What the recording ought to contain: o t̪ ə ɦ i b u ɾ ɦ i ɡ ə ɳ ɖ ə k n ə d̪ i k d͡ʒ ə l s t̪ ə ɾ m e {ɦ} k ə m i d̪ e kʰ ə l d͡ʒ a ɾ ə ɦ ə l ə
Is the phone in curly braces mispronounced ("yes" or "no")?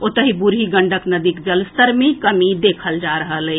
yes